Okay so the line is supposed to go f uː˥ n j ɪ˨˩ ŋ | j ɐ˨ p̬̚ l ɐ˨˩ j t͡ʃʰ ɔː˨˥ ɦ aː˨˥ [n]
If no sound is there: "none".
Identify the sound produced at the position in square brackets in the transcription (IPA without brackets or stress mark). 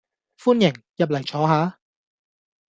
none